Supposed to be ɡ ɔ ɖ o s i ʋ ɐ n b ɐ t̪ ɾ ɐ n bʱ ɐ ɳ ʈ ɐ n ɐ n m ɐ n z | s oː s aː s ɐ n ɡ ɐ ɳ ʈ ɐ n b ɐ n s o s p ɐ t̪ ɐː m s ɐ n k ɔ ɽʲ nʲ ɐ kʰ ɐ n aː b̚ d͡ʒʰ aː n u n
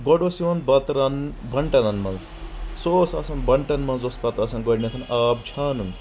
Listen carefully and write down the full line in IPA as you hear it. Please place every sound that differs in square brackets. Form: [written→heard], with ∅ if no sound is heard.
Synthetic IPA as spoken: ɡ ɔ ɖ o s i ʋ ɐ n b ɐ t̪ ɾ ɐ n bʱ ɐ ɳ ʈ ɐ n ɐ n m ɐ n z | s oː s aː s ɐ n [ɡ→b] ɐ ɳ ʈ ɐ n [b→m] ɐ n [s→z] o s p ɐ t̪ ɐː [m→∅] s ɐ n [k→ɡ] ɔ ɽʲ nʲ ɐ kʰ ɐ n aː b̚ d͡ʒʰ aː n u n